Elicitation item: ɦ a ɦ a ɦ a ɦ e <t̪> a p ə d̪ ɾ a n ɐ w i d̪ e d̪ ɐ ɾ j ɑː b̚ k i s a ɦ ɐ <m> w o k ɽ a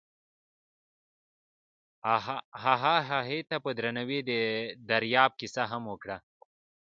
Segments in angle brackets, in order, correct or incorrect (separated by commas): correct, correct